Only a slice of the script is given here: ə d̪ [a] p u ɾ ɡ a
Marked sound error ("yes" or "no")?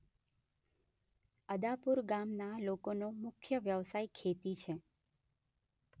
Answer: no